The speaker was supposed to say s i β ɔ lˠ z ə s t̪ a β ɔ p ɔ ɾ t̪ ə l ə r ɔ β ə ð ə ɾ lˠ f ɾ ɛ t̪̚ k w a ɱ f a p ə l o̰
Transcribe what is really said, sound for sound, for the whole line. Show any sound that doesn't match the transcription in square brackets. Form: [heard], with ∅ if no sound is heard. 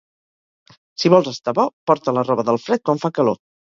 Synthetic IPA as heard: s i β ɔ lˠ z ə s t̪ a β ɔ p ɔ ɾ t̪ ə l ə r ɔ β ə ð ə [∅] lˠ f ɾ ɛ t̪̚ k w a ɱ f a [k] ə l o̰

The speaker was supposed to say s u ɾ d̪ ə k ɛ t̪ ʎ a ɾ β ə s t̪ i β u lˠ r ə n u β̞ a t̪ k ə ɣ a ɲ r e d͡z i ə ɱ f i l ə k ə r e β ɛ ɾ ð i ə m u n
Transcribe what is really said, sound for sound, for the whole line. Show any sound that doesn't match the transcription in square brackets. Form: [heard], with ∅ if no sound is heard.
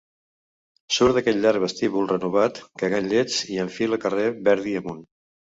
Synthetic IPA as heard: s u ɾ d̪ ə k ɛ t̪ ʎ a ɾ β ə s t̪ i β u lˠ r ə n u β̞ a t̪ k ə ɣ a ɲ [ʎ] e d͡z i ə ɱ f i l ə k ə r e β ɛ ɾ ð i ə m u n

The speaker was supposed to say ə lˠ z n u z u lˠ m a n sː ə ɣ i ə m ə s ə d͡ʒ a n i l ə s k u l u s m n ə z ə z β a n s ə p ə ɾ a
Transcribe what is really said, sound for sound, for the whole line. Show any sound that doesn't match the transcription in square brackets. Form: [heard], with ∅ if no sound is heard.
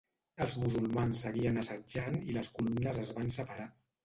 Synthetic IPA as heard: ə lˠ z [m] u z u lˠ m a n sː ə ɣ i ə [n] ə s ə d͡ʒ a n i l ə s k u l u [∅] m n ə z ə z β a n s ə p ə ɾ a

